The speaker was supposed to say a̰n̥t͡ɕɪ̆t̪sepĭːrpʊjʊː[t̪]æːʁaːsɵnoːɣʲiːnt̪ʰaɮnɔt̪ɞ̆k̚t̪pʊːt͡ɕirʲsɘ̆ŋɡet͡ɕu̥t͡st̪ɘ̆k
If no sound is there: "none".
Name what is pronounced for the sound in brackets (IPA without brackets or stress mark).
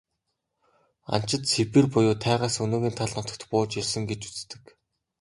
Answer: t̪ʰ